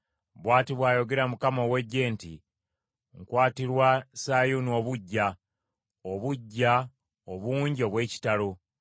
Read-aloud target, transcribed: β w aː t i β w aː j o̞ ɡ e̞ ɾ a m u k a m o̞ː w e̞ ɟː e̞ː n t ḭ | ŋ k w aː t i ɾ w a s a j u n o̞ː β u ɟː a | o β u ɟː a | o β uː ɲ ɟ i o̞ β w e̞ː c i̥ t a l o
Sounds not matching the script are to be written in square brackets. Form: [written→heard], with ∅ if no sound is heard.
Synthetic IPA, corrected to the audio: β w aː t i β w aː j o̞ ɡ e̞ ɾ a m u k a m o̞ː w e̞ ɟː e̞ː n t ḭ | ŋ k w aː t i ɾ w a s a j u n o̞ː β u ɟː a | o β u ɟː a | o β uː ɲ ɟ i o̞ β w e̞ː c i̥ t a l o